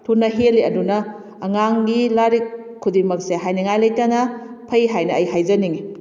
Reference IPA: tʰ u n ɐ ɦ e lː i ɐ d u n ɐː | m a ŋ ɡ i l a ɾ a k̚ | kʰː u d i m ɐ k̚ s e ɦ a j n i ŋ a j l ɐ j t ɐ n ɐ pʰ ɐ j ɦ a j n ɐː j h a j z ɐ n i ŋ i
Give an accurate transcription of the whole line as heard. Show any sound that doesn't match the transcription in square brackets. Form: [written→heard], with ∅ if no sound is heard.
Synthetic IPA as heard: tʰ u n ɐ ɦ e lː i ɐ d u n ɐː | [m→ŋ] a ŋ ɡ i l a ɾ [a→i] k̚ | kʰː u d i m ɐ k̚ s e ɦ a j n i ŋ a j l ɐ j t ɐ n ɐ pʰ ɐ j ɦ a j n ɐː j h a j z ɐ n i ŋ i